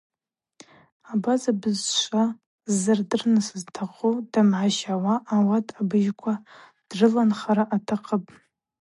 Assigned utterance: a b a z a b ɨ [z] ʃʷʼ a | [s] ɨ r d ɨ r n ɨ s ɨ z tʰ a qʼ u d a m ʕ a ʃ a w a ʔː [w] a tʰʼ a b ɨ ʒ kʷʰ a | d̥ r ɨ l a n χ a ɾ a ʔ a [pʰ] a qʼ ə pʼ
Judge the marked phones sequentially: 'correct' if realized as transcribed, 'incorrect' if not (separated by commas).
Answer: correct, incorrect, correct, incorrect